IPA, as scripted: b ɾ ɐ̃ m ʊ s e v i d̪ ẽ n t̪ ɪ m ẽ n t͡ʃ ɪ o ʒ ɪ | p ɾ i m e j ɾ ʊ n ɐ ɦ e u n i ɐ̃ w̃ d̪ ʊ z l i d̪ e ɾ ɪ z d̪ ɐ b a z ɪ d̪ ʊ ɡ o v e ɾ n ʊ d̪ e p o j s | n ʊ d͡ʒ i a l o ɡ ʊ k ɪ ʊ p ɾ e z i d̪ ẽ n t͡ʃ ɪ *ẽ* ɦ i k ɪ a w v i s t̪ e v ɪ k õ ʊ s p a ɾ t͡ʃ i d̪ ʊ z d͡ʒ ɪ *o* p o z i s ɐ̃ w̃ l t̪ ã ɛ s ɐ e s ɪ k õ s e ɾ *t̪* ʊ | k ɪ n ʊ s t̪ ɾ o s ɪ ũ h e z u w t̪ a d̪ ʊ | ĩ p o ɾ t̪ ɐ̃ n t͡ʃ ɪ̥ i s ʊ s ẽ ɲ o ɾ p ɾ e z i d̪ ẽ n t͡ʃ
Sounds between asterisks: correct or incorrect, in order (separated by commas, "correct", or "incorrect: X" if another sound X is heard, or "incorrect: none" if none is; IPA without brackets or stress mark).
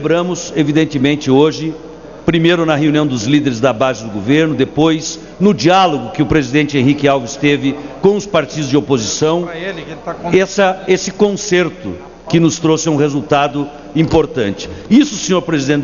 correct, correct, correct